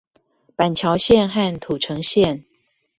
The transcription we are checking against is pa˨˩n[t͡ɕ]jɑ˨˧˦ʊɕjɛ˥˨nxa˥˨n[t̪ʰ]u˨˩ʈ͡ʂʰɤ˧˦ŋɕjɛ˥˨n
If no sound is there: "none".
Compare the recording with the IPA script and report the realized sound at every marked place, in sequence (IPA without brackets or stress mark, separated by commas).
t͡ɕʰ, t̪ʰ